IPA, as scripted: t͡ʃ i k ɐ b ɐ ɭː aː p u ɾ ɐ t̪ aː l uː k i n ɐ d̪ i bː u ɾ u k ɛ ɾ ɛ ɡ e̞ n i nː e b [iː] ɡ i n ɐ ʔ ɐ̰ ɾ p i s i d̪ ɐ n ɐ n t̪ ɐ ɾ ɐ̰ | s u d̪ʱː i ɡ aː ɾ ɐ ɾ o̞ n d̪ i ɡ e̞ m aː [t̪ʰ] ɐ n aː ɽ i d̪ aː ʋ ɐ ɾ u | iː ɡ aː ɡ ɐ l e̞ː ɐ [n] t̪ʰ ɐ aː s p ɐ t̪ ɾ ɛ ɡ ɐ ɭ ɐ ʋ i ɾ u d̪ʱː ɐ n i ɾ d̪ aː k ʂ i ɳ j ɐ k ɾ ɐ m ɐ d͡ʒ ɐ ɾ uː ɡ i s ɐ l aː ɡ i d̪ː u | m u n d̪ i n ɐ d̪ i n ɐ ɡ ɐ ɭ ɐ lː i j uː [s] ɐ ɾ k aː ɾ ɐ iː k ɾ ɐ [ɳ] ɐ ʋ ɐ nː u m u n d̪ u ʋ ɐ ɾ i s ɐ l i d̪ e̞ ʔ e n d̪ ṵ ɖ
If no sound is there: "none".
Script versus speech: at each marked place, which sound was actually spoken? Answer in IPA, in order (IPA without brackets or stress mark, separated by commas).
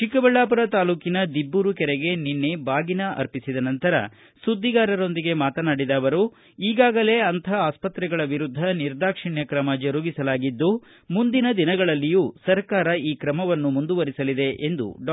aː, t̪, n, s, m